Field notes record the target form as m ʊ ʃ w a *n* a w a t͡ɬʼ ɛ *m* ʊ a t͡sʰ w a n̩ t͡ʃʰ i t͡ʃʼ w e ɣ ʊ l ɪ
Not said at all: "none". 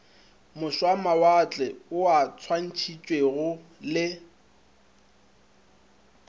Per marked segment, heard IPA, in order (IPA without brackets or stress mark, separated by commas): m, none